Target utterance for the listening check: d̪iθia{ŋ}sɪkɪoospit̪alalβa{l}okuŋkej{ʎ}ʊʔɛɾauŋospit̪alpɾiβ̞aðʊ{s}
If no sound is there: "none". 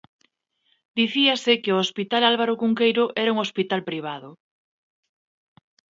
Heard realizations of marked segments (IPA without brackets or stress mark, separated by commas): none, ɾ, ɾ, none